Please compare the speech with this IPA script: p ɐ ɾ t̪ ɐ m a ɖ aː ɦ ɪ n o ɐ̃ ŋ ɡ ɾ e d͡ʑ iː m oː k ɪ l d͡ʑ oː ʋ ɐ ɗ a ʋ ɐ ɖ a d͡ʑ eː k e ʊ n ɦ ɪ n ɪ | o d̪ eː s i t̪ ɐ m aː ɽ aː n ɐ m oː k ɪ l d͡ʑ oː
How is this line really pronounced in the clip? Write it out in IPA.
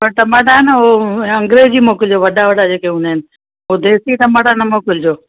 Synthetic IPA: p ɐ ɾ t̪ ɐ m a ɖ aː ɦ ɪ n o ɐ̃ ŋ ɡ ɾ e d͡ʑ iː m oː k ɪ l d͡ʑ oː ʋ ɐ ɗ a ʋ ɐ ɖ a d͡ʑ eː k e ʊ n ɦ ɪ n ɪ | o d̪ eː s i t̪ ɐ m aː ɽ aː n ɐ m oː k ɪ l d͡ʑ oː